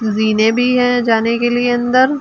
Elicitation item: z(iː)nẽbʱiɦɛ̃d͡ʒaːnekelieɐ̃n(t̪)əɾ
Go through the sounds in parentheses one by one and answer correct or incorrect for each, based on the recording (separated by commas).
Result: correct, incorrect